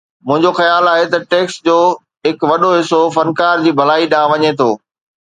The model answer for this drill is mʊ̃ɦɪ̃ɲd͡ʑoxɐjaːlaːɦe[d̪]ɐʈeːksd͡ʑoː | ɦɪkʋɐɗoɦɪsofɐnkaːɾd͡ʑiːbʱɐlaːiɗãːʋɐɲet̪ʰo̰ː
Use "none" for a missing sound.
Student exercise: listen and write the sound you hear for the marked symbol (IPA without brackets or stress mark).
t̪